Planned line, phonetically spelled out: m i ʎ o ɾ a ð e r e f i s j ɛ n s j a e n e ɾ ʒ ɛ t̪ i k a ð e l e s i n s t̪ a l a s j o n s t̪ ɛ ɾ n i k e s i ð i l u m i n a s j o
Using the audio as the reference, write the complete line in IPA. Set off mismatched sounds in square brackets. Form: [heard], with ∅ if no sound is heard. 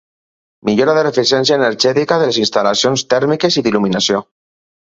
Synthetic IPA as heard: m i ʎ o ɾ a ð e r e f i s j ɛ n s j a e n e ɾ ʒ ɛ t̪ i k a ð e l e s i n s t̪ a l a s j o n s t̪ ɛ ɾ [m] i k e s i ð i l u m i n a s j o